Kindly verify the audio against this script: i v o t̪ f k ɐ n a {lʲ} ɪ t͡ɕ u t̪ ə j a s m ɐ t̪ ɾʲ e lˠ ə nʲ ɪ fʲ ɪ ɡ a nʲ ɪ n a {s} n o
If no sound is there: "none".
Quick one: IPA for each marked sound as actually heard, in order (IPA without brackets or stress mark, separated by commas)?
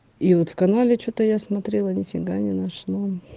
lʲ, ʂ